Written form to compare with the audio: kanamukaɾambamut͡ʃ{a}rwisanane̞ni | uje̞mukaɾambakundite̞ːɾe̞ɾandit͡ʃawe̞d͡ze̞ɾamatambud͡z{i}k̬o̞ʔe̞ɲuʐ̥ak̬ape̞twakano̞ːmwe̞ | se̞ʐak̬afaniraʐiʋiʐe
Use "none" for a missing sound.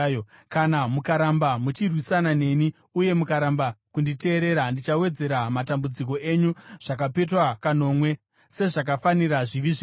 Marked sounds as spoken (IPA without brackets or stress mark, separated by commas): i, i